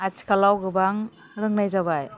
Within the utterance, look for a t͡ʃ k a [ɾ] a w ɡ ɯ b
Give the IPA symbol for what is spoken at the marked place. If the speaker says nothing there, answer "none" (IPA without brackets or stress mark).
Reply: l